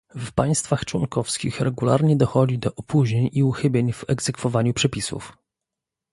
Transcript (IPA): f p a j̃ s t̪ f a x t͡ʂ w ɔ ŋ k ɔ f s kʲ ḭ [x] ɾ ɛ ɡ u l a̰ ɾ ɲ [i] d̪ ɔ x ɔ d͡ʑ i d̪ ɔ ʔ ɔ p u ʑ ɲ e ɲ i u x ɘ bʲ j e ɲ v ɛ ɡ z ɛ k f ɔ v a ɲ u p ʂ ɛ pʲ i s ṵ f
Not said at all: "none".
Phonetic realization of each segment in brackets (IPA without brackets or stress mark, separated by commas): x, ɛ